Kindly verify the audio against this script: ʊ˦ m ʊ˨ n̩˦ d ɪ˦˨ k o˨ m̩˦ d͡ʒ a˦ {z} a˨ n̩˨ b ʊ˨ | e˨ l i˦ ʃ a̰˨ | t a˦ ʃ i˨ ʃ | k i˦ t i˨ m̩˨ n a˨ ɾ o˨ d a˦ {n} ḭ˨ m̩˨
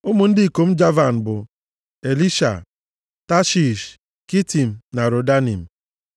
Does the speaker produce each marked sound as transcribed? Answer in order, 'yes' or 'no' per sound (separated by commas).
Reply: no, yes